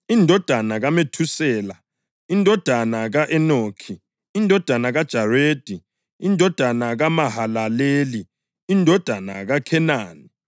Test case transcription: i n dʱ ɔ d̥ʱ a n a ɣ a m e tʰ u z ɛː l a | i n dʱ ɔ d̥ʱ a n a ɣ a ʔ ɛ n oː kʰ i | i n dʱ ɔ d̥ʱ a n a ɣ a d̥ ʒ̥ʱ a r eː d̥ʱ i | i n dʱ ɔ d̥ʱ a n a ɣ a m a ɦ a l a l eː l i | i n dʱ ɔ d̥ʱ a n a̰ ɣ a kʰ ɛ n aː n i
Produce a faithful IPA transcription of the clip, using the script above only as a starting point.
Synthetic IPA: i n dʱ ɔ d̥ʱ a n a ɣ a m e tʰ u s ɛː l a | i n dʱ ɔ d̥ʱ a n a ɣ a ʔ ɛ n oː kʰ i | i n dʱ ɔ d̥ʱ a n a ɣ a d̥ ʒ̥ʱ a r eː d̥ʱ i | i n dʱ ɔ d̥ʱ a n a ɣ a m a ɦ a l a l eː l i | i n dʱ ɔ d̥ʱ a n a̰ ɣ a kʰ ɛ n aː n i